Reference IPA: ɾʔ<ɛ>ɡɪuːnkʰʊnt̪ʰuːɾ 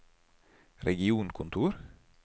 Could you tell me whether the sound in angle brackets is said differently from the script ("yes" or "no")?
no